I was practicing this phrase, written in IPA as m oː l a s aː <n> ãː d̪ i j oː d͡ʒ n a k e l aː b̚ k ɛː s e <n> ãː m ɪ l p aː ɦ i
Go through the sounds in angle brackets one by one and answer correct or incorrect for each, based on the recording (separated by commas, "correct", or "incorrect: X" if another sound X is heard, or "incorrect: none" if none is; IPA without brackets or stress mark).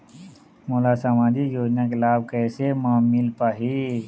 incorrect: m, incorrect: m